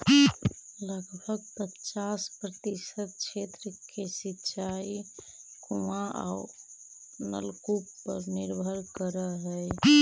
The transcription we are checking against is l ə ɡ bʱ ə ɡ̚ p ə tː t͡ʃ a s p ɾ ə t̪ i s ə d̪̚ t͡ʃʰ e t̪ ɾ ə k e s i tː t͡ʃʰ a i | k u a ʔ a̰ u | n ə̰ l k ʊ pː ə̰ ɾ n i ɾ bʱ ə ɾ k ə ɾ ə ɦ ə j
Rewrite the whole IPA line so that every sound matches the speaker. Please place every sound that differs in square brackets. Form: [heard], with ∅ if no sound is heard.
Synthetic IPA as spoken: l ə ɡ bʱ ə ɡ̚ p ə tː t͡ʃ a s p ɾ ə t̪ i s ə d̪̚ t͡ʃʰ e t̪ ɾ ə k e s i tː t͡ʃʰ a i | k u a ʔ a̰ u | n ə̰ l k [u] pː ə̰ ɾ n i ɾ bʱ ə ɾ k ə ɾ ə ɦ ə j

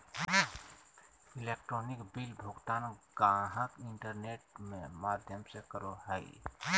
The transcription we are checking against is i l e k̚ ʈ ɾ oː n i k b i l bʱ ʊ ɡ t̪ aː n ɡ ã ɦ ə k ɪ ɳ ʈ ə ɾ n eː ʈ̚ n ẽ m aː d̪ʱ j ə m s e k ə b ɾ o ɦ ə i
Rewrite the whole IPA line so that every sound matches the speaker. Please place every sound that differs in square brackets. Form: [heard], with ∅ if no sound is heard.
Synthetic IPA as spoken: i l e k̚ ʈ ɾ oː n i k b i l bʱ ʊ ɡ t̪ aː n ɡ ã ɦ ə k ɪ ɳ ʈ ə ɾ n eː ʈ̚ [m] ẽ m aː d̪ʱ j ə m s e k ə [∅] ɾ o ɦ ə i

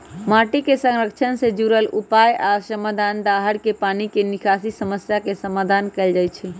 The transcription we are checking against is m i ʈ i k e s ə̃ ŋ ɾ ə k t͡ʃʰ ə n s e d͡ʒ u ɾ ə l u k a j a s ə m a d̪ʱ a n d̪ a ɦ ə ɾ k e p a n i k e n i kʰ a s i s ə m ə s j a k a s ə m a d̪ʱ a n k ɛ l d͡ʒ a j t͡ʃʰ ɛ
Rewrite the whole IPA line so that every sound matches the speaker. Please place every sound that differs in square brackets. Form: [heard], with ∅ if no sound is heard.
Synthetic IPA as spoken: m [a] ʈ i k e s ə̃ ŋ ɾ ə k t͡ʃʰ ə n s e d͡ʒ u ɾ ə l u [p] a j a s ə m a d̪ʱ a n d̪ a ɦ ə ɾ k e p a n i k e n i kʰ a s i s ə m ə s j a k [e] s ə m a d̪ʱ a n k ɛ l d͡ʒ a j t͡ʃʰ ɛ

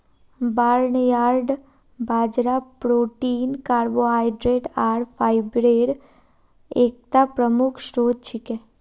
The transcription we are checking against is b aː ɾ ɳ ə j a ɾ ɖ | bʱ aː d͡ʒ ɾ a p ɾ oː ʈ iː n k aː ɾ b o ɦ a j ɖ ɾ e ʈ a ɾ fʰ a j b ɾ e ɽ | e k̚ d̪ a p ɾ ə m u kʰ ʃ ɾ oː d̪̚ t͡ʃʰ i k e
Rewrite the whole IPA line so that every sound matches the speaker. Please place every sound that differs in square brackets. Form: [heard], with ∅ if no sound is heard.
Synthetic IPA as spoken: b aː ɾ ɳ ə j a ɾ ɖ | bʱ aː d͡ʒ ɾ a p ɾ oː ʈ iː n k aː ɾ b o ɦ a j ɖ ɾ e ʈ a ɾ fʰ a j b ɾ e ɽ | e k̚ [t̪] a p ɾ ə m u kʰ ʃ ɾ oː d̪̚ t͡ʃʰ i k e

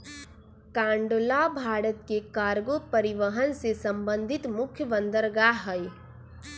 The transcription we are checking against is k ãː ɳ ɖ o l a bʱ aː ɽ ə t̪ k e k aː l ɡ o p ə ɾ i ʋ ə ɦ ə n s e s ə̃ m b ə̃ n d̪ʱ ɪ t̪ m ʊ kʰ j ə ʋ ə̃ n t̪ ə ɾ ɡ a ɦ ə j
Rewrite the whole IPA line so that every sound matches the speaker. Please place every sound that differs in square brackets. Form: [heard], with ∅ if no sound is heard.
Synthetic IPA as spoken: k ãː ɳ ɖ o l a bʱ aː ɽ ə t̪ k e k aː [ɾ] ɡ o p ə ɾ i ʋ ə ɦ ə n s e s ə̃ m b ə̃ n d̪ʱ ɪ t̪ m ʊ kʰ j ə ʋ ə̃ n [d̪] ə ɾ ɡ a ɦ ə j

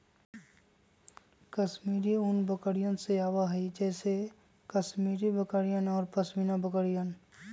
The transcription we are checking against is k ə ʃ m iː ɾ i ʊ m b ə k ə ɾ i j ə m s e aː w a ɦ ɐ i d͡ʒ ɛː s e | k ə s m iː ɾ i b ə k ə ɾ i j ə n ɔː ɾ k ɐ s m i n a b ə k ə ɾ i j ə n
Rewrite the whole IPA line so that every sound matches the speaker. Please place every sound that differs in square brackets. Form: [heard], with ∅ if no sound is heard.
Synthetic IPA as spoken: k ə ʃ m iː ɾ i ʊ [n] b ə k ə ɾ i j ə [n] s e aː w a ɦ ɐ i d͡ʒ ɛː s e | k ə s m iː ɾ i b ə k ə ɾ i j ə n ɔː ɾ [p] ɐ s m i n a b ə k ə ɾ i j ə n

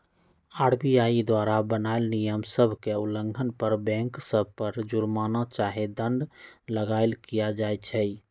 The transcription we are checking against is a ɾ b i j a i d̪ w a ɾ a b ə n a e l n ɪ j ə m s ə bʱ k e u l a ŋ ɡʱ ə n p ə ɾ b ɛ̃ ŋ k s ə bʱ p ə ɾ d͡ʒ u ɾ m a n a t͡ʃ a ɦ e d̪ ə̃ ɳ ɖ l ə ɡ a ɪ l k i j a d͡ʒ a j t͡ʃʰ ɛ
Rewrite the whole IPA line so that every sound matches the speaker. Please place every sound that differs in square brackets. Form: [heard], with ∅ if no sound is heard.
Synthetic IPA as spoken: a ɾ b i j a i d̪ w a ɾ a b ə n a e l n [i] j ə m s ə bʱ k e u l [ə] ŋ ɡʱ ə n p ə ɾ b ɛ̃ ŋ k s ə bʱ p ə ɾ d͡ʒ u ɾ m a n a t͡ʃ a ɦ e d̪ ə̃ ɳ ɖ l ə ɡ a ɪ l k i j a d͡ʒ a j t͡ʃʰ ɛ

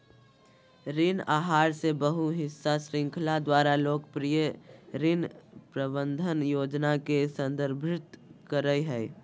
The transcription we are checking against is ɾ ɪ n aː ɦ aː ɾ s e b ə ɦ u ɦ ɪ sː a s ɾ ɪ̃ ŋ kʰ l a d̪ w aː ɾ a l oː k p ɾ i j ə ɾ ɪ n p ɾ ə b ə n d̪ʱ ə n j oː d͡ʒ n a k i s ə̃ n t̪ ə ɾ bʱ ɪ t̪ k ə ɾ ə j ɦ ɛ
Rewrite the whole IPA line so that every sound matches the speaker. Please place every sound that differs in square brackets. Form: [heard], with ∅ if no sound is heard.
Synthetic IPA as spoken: ɾ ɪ n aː ɦ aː ɾ s e b ə ɦ u ɦ ɪ sː a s ɾ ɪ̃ ŋ kʰ l a d̪ w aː ɾ a l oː k p ɾ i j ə ɾ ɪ n p ɾ ə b ə n d̪ʱ ə n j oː d͡ʒ n a k [e] s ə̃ n [d̪] ə ɾ bʱ ɪ t̪ k ə ɾ ə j ɦ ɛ

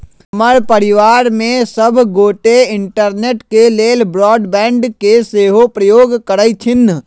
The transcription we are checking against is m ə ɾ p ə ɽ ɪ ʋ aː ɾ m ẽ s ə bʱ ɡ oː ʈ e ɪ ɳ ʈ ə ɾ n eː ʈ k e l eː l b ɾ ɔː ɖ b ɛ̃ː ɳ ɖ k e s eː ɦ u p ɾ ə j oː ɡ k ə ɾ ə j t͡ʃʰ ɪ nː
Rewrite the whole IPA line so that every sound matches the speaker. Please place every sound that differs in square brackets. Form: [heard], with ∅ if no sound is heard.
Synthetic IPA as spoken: m ə ɾ p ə [ɾ] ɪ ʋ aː ɾ m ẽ s ə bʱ ɡ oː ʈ e ɪ ɳ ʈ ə ɾ n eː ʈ k e l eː l b ɾ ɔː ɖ b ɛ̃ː ɳ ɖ k e s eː ɦ [o] p ɾ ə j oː ɡ k ə ɾ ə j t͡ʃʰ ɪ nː

